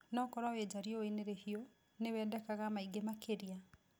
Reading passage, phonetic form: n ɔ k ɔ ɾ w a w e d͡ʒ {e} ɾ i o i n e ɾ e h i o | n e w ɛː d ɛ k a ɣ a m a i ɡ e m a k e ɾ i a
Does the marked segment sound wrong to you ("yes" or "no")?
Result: yes